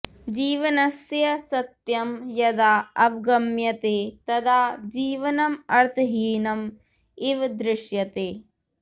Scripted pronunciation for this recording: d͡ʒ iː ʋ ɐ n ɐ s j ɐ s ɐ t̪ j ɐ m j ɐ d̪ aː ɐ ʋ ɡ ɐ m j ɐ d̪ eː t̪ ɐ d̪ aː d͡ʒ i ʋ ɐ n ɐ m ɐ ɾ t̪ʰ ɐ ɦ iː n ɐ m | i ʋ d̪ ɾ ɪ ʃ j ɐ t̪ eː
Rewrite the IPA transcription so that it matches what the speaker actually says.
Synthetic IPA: d͡ʒ iː ʋ ɐ n ɐ s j ɐ s ɐ t̪ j ɐ m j ɐ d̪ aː ɐ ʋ ɡ ɐ m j ɐ t̪ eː t̪ ɐ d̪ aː d͡ʒ iː ʋ ɐ n ɐ m ɐ ɾ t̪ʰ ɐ ɦ iː n ɐ m | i ʋ d̪ ɾ ɪ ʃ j ɐ t̪ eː